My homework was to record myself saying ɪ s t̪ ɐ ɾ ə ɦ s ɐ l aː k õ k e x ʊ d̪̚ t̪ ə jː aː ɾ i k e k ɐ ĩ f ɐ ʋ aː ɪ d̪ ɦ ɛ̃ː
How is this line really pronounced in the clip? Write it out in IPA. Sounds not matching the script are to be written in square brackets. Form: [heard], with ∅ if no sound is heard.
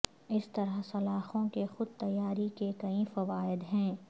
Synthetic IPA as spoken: ɪ s t̪ ɐ ɾ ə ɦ s ɐ l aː [x] õ k e x ʊ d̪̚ t̪ [ɐ] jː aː ɾ i k e k ɐ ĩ f ɐ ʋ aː ɪ d̪ ɦ ɛ̃ː